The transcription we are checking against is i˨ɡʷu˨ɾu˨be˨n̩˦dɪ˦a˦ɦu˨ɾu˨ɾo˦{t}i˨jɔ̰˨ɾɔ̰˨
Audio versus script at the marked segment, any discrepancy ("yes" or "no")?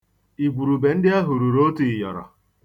no